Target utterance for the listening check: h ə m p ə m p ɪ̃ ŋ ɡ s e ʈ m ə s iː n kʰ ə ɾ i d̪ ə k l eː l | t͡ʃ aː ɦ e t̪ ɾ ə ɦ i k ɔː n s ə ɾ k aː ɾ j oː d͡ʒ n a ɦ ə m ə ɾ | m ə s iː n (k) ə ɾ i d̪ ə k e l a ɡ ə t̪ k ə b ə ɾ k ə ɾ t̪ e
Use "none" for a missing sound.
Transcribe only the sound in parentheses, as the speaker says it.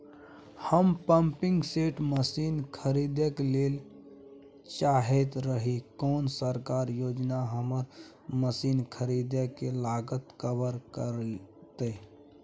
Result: kʰ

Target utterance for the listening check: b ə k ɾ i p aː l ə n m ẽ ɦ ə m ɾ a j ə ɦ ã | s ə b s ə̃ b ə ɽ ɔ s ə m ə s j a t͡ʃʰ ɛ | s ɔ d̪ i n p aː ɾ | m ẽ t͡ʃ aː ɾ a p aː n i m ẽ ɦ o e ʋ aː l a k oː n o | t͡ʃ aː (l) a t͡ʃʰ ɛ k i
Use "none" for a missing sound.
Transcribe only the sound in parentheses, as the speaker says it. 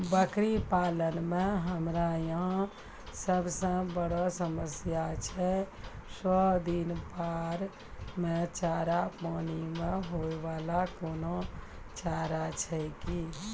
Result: ɾ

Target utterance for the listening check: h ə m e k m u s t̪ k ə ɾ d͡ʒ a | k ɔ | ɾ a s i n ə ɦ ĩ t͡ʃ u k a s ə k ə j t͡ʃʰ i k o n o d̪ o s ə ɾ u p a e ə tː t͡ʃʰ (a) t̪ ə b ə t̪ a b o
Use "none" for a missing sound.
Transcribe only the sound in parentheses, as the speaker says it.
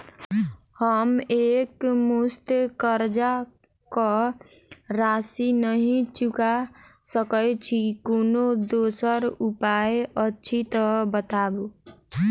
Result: i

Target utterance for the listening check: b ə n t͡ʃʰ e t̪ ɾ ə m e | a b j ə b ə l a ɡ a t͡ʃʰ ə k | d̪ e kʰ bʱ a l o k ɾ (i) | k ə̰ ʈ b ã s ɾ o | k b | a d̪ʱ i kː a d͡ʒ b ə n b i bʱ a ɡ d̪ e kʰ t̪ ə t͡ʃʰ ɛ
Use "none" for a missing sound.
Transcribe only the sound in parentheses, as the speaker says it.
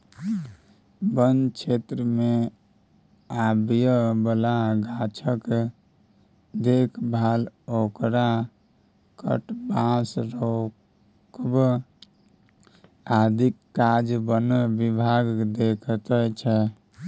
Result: a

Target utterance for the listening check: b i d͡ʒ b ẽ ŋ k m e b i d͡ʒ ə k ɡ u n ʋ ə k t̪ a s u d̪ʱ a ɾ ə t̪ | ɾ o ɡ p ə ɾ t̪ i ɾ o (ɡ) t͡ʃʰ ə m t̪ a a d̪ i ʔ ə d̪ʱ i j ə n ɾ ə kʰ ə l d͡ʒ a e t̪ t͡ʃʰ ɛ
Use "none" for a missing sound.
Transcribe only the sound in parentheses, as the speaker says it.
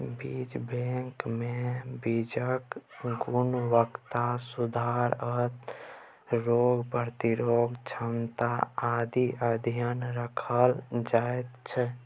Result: ɡ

